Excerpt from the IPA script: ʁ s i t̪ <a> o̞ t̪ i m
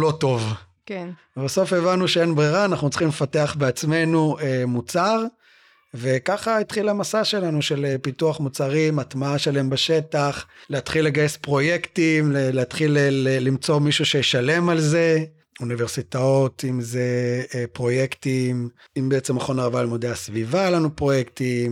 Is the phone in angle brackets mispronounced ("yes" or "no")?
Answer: no